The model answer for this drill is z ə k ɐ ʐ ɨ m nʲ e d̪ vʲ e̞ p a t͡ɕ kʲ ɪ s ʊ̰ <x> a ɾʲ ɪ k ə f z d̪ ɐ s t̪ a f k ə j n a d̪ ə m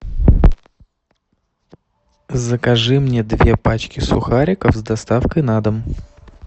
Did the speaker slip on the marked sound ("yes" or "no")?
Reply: no